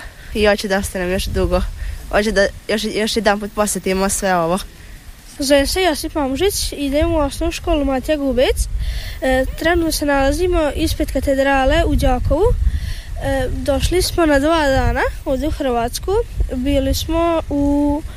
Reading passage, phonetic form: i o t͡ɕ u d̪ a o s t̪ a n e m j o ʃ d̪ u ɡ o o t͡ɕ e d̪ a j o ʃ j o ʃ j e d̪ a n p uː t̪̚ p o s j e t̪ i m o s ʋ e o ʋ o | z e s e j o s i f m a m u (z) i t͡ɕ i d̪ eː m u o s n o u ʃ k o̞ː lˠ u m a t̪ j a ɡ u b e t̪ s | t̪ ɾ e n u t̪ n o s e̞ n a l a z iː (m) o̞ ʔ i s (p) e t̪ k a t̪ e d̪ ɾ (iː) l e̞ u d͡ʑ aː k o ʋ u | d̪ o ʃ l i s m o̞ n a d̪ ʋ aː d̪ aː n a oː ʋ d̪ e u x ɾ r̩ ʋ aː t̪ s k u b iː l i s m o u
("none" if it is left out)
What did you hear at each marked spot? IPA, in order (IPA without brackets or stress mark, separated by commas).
ʒ, m, p, aː